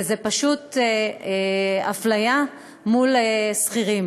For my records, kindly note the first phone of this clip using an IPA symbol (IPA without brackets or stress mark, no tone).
z